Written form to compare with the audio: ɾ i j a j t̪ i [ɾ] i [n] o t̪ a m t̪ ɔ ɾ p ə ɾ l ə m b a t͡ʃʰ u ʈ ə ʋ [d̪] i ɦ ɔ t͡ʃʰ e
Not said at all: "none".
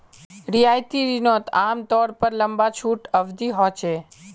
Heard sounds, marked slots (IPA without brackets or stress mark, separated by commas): ɾ, n, d̪